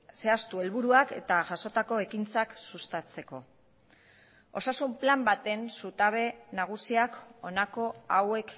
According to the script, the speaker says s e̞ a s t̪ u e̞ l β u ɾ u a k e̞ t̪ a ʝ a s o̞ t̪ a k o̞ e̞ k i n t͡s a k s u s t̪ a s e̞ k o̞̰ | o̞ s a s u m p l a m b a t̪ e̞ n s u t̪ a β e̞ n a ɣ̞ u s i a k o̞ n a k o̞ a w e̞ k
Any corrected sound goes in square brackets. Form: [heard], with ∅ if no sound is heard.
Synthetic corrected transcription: s e̞ a s t̪ u e̞ l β u ɾ u a k e̞ t̪ a ʝ a s o̞ t̪ a k o̞ e̞ k i n t͡s a k s u s t̪ a [t͡s] e̞ k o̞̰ | o̞ s a s u m p l a m b a t̪ e̞ n s u t̪ a β e̞ n a ɣ̞ u s i a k o̞ n a k o̞ a w e̞ k